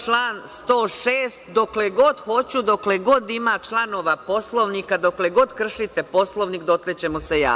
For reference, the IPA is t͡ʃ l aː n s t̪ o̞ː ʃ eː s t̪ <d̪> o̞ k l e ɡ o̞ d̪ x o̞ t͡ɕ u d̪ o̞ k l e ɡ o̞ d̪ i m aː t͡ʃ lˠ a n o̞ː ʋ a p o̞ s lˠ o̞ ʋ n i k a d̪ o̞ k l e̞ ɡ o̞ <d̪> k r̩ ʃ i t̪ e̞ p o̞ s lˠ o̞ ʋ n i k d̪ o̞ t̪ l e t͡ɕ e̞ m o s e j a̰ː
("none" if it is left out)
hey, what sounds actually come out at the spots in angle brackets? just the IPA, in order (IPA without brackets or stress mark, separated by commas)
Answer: d̪, d̪